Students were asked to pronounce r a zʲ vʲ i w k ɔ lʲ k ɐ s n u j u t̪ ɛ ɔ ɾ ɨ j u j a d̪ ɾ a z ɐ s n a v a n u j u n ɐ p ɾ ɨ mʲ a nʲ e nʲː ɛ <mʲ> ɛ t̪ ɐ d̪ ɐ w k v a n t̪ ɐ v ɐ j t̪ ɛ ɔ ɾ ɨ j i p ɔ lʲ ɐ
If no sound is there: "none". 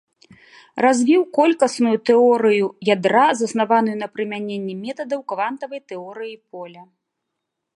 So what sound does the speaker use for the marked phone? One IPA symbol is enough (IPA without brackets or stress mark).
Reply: mʲ